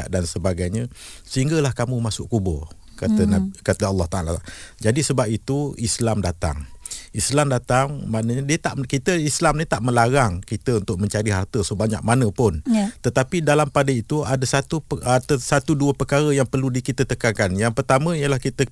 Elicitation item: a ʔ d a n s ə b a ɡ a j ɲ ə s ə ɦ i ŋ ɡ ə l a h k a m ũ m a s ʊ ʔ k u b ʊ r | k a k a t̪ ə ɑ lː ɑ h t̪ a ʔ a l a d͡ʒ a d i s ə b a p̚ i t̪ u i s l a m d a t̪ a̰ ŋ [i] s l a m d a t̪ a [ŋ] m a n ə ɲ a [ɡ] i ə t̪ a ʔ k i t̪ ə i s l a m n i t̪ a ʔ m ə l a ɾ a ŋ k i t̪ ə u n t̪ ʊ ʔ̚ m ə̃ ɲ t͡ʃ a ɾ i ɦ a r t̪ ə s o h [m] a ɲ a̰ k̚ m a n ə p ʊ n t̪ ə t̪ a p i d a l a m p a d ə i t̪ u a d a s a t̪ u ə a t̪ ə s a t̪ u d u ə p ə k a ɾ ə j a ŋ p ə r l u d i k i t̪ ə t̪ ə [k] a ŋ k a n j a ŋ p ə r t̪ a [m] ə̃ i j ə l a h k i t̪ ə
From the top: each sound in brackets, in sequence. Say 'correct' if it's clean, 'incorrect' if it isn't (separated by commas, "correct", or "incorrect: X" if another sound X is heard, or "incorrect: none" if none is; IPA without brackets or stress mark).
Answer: correct, correct, incorrect: d, incorrect: b, correct, correct